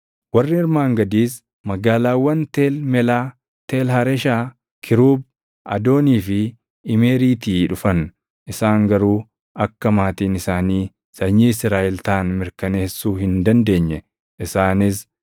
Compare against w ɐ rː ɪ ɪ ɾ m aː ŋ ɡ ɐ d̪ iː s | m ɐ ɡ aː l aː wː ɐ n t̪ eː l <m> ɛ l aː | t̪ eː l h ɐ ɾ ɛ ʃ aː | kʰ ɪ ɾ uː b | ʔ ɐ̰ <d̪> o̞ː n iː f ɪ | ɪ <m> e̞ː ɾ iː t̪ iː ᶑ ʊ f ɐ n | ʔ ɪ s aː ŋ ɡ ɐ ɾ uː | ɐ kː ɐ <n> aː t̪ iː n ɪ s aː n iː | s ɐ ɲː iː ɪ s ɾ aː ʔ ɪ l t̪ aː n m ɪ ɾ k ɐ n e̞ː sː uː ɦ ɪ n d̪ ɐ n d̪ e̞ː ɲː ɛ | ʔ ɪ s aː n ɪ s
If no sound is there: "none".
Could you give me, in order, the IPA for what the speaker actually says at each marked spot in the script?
m, d̪, m, m

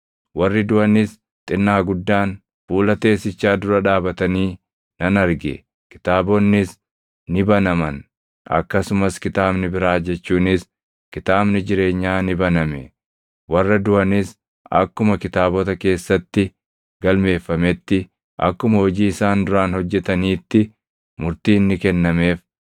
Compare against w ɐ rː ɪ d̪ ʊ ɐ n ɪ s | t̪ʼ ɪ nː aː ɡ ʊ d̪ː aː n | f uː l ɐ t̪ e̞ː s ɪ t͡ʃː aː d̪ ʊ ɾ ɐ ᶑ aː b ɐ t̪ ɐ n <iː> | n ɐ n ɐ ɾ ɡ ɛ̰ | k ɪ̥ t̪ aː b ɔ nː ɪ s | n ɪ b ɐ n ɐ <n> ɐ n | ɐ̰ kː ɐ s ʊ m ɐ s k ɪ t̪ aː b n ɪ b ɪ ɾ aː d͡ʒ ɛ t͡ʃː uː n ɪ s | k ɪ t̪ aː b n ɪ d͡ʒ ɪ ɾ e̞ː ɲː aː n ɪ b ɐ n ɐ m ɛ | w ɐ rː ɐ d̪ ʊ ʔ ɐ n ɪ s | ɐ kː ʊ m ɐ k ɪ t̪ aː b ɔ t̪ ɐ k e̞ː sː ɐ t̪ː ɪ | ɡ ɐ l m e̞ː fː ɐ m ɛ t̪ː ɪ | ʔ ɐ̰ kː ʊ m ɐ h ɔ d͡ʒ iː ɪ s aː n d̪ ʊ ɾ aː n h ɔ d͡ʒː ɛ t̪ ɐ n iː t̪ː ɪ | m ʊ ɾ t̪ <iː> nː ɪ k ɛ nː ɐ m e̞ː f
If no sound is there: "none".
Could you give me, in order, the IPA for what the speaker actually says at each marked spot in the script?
iː, m, iː

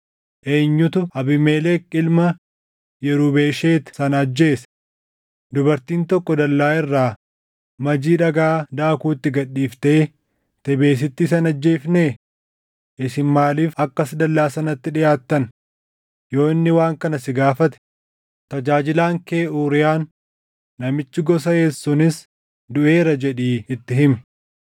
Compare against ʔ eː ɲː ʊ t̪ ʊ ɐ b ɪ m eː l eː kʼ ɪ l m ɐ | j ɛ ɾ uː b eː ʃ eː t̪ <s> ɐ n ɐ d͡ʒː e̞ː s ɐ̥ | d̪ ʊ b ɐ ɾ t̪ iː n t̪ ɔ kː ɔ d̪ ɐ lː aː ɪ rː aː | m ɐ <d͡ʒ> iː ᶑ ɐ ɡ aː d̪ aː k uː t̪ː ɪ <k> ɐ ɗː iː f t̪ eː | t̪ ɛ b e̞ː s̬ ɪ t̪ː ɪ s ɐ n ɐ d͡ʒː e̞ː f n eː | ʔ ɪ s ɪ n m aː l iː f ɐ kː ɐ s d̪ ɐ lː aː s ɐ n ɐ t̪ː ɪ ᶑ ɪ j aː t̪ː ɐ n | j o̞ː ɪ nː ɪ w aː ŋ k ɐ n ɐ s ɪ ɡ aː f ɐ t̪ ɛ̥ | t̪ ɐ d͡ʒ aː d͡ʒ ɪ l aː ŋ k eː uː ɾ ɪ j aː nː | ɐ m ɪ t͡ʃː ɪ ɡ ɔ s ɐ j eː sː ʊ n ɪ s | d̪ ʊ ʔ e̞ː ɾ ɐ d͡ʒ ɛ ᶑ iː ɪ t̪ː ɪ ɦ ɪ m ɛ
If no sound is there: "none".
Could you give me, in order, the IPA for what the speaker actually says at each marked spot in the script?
s, d͡ʒ, ɡ

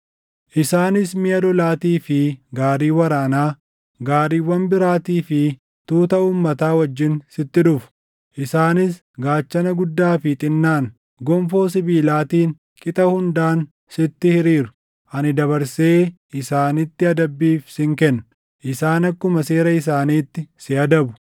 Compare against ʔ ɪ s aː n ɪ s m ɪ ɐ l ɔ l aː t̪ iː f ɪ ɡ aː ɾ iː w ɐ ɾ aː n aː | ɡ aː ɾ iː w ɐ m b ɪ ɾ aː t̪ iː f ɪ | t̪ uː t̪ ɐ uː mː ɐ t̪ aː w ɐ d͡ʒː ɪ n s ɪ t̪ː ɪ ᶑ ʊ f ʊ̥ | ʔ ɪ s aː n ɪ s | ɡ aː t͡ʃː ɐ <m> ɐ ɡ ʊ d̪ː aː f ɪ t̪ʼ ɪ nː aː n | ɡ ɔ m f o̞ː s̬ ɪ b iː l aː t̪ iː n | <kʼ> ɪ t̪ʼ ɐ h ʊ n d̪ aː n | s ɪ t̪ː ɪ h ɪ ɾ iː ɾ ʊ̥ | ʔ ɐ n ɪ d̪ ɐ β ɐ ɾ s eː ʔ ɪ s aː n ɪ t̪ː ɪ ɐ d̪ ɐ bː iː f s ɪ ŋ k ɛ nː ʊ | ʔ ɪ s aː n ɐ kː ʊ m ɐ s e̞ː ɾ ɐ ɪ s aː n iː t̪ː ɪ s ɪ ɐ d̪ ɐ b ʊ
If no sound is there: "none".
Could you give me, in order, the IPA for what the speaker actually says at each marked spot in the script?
n, kʼ

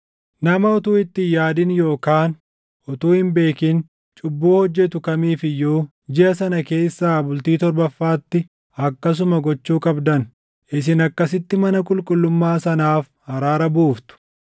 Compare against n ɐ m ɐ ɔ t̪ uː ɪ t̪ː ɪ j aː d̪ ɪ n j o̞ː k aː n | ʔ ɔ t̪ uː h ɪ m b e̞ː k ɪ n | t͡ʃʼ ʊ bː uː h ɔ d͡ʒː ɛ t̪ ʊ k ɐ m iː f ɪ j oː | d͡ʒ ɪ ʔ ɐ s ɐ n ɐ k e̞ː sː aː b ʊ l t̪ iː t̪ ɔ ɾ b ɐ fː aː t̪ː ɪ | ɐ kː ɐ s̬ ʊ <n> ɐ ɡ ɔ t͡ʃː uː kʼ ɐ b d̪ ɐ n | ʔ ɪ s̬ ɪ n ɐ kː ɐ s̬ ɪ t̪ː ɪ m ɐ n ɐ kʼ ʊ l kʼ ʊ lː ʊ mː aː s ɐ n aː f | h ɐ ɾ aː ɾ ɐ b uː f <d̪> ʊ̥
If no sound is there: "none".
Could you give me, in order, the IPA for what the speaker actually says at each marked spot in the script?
m, t̪

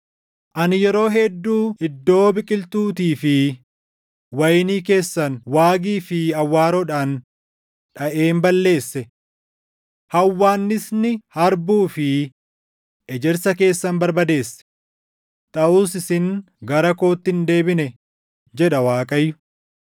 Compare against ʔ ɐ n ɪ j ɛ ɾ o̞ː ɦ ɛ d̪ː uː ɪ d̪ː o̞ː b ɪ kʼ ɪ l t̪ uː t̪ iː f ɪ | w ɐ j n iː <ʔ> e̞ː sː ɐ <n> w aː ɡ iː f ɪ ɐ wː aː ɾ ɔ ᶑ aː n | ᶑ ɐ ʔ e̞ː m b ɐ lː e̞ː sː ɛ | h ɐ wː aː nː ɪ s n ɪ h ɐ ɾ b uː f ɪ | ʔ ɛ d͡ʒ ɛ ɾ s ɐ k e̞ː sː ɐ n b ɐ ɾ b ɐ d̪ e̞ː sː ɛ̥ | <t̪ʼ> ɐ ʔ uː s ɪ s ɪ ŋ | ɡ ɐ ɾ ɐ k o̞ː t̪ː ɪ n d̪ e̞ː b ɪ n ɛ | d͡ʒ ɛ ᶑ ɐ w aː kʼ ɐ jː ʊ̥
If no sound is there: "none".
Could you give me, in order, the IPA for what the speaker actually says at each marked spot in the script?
k, n, t̪ʼ

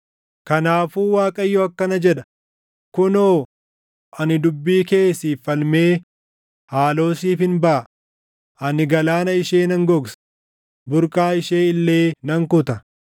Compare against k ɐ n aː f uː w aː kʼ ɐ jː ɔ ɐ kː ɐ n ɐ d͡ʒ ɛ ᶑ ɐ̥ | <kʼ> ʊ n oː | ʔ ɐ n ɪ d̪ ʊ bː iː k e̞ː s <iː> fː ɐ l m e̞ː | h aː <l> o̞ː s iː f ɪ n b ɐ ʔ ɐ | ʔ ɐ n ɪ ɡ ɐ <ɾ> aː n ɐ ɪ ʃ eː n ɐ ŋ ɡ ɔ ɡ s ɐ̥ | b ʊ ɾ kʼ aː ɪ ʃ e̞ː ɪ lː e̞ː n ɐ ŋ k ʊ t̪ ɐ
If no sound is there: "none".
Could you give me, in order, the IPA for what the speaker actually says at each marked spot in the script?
k, iː, l, l

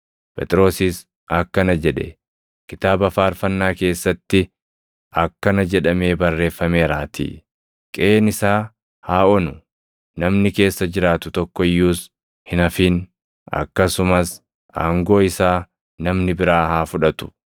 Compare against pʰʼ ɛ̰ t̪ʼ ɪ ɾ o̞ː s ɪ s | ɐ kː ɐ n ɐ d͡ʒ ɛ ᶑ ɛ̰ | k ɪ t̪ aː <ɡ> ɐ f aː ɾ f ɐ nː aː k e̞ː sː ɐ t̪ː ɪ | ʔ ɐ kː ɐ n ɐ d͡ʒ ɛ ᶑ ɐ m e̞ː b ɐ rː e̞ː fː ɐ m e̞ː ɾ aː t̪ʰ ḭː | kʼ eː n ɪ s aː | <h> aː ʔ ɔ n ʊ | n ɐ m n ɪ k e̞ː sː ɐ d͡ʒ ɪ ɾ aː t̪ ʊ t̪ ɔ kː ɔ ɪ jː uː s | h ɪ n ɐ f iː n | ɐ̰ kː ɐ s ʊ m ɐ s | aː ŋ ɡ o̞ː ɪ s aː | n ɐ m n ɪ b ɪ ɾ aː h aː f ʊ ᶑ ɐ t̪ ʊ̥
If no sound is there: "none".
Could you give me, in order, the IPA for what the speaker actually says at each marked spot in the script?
b, h

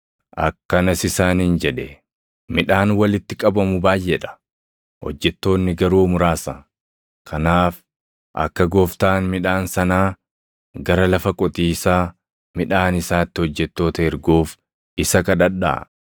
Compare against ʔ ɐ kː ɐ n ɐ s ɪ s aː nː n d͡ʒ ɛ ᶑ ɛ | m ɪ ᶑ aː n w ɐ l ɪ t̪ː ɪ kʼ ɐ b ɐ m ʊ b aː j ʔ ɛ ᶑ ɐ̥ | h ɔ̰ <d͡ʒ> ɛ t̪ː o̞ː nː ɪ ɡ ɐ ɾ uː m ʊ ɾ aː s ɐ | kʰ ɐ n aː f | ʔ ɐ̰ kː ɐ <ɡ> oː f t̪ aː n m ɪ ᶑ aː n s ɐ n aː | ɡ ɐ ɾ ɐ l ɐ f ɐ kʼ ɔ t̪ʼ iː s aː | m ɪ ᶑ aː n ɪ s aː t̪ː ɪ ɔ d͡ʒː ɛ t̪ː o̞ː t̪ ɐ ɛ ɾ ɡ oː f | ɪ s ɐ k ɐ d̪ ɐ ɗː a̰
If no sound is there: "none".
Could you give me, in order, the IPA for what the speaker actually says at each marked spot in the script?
d͡ʒː, ɡ

